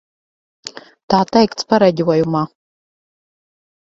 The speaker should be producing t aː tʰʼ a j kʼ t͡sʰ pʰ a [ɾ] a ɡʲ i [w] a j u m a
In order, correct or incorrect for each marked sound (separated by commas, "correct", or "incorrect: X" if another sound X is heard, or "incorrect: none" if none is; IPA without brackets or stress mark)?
correct, correct